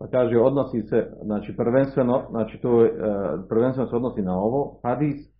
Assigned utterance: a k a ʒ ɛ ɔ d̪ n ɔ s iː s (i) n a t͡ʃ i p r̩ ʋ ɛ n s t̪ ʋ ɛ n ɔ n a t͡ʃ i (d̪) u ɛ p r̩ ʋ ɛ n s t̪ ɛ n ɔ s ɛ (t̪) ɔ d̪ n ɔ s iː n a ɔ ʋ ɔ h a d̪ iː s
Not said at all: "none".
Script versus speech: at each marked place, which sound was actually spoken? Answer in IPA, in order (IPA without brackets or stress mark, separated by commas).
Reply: ɛ, t̪, none